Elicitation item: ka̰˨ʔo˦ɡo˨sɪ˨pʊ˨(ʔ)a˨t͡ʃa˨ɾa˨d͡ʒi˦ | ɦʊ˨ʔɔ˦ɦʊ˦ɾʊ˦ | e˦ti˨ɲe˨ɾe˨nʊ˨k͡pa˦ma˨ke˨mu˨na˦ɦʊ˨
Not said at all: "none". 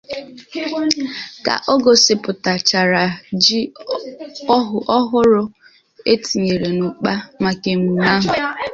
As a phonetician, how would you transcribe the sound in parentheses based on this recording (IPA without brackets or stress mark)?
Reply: t